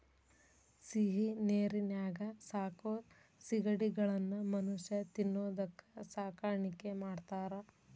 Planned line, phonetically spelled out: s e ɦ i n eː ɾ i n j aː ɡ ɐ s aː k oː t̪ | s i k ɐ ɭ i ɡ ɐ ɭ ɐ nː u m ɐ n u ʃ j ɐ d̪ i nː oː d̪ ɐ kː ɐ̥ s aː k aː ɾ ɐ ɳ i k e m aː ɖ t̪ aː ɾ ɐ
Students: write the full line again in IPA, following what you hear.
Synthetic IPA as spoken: s i ɦ i n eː ɾ i n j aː ɡ ɐ s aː k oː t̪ | s i ɡ ɐ ɽ i ɡ ɐ ɭ ɐ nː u m ɐ n u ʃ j ɐ t̪ i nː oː d̪ ɐ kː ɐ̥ s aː k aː ɾ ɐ ɳ i k e m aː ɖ t̪ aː ɾ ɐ